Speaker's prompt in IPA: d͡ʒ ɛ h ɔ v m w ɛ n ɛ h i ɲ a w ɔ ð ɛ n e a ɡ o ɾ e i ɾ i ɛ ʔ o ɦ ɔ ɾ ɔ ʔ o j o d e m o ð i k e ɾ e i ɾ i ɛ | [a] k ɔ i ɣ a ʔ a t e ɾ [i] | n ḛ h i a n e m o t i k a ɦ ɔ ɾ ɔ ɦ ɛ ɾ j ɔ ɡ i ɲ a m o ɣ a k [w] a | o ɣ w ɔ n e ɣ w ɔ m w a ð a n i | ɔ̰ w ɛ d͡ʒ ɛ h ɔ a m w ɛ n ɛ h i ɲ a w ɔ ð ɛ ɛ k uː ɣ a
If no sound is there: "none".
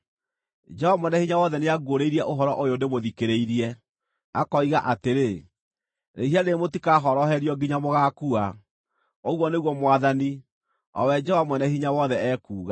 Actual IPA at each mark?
a, e, u

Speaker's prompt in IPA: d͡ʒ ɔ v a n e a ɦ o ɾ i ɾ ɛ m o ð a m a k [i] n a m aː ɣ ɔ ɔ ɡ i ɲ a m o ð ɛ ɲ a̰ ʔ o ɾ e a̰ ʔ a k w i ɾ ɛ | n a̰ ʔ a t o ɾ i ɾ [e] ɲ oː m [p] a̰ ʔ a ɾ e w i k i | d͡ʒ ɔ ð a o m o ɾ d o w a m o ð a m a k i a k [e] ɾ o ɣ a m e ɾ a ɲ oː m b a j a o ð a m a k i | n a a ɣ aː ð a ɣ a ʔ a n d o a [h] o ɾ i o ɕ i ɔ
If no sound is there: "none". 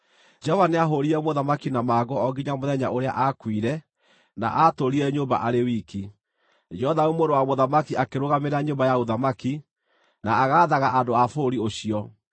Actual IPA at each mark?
i, ɛ, b, e, f

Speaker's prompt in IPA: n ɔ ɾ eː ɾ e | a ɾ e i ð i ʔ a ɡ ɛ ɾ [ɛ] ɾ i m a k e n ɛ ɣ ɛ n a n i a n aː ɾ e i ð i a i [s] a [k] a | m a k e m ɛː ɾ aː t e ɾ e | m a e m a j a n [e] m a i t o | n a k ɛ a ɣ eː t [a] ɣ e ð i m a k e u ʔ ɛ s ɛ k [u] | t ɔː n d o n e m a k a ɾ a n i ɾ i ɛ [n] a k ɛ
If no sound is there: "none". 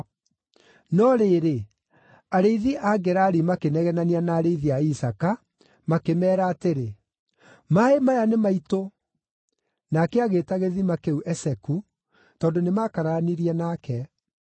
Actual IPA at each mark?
a, s, k, e, a, u, n

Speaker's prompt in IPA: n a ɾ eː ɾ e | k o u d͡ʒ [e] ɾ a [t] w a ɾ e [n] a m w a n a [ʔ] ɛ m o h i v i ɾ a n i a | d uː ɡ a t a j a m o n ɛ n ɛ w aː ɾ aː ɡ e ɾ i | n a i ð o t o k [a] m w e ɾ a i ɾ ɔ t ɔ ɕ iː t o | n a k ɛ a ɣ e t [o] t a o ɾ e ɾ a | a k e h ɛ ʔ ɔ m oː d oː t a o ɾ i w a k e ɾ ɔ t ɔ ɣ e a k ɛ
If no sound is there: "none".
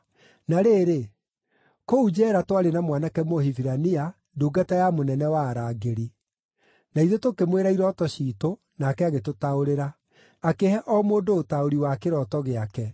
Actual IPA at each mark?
ɛ, t, n, k, e, o

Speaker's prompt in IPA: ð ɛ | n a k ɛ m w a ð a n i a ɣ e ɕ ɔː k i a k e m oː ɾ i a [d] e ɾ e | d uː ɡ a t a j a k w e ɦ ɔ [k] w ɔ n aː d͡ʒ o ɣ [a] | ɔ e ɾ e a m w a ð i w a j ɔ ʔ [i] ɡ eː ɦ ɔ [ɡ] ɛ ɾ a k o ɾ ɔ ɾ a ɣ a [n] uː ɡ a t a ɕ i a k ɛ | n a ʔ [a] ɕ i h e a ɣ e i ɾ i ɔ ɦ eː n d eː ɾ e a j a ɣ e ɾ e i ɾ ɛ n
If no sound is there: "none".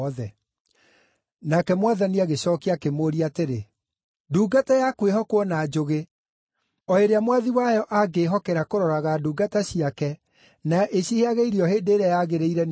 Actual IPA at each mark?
t, k, e, a, k, d, e

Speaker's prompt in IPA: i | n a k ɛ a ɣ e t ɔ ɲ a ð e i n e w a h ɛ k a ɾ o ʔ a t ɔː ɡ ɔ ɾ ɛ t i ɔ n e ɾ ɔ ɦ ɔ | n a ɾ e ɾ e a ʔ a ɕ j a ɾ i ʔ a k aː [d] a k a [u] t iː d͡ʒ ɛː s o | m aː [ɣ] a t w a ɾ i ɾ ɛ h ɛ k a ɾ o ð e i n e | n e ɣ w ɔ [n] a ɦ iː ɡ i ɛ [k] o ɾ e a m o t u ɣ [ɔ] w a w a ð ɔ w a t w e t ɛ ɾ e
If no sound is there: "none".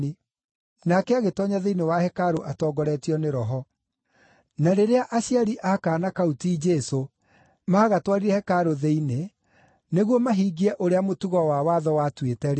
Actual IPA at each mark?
n, u, ɣ, m, ʔ, ɔ

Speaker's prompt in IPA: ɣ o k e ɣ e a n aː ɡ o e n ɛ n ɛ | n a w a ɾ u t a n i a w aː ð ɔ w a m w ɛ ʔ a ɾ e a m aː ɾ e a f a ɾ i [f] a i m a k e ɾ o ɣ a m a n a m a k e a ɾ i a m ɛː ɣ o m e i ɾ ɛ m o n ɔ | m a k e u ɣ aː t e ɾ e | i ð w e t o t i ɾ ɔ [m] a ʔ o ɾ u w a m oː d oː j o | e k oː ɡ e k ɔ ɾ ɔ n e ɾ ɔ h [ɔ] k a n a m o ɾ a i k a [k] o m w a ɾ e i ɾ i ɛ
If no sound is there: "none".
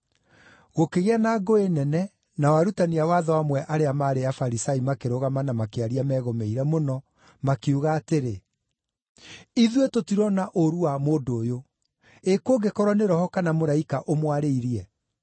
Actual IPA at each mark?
s, n, ɔ, ʔ

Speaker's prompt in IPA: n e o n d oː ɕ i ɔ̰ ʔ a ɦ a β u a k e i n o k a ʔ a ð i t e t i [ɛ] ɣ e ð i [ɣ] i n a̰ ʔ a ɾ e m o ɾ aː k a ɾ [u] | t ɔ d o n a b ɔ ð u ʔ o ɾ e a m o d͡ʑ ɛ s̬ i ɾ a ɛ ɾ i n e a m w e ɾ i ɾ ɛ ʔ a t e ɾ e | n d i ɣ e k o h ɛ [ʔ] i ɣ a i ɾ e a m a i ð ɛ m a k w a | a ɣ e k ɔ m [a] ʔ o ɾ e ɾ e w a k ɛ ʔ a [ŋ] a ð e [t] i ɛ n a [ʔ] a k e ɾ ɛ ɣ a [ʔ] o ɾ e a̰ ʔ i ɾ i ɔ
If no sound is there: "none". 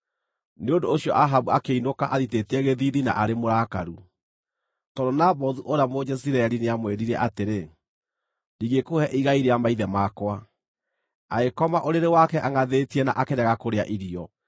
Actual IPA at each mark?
ɛ, ð, u, ʔ, a, ŋ, t, ʔ, k

